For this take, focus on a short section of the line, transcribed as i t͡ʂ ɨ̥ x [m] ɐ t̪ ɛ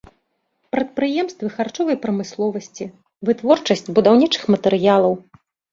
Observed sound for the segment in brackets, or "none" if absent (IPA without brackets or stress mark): m